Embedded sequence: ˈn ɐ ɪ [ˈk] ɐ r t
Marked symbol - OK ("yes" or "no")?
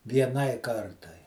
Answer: yes